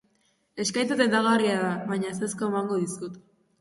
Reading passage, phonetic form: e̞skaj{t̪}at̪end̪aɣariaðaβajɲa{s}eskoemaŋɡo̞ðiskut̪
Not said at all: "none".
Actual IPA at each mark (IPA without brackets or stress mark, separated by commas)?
t̪, s